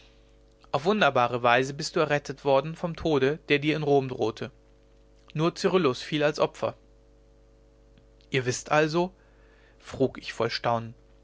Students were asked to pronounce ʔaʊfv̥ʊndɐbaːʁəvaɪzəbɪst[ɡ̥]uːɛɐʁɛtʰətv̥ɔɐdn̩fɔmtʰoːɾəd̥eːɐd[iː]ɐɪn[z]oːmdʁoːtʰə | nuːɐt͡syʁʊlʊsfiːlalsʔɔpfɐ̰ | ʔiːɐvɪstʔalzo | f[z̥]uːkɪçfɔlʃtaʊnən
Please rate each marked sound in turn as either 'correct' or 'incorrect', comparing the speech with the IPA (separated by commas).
incorrect, correct, incorrect, incorrect